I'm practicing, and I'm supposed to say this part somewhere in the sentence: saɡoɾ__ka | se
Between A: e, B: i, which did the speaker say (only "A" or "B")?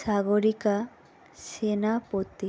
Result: B